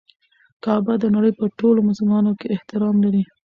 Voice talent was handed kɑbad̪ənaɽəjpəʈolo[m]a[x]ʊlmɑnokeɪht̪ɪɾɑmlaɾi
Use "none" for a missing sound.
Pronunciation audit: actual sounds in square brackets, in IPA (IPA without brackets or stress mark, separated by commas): m, s